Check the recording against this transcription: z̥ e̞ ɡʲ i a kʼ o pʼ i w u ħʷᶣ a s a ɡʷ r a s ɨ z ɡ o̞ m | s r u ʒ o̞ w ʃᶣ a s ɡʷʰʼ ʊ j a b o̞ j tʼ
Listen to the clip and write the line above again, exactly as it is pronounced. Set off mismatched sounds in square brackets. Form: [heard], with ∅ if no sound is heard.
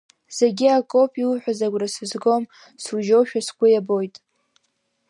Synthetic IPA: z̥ e̞ ɡʲ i a kʼ o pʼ i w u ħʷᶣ a [z] a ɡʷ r a s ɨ z ɡ o̞ m | s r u ʒ o̞ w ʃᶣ a s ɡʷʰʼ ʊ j a b o̞ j tʼ